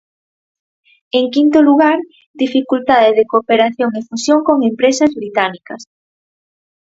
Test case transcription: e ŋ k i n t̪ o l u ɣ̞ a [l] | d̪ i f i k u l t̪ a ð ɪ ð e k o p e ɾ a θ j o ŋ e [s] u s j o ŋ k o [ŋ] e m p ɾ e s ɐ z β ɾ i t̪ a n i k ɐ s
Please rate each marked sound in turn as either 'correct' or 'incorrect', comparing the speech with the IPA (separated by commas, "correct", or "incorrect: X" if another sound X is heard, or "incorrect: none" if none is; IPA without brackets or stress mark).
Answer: incorrect: ɾ, incorrect: f, correct